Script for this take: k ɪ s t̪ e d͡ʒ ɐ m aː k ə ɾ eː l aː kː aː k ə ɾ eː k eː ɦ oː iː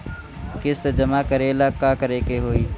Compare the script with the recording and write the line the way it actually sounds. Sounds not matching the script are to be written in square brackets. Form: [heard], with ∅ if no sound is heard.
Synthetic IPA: k ɪ s t̪ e d͡ʒ [ə] m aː k ə ɾ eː l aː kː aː k ə ɾ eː k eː ɦ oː iː